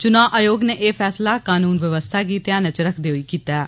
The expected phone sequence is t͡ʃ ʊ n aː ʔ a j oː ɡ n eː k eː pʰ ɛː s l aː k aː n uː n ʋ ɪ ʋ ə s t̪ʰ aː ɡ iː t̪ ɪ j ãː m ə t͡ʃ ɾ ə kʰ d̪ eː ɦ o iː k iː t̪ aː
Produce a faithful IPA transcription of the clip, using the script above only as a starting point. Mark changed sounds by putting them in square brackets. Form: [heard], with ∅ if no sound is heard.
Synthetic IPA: t͡ʃ ʊ n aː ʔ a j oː ɡ n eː [ʔ] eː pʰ ɛː s l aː k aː n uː n ʋ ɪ ʋ ə s t̪ʰ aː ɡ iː t̪ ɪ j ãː [n] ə t͡ʃ ɾ ə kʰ d̪ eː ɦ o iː k iː t̪ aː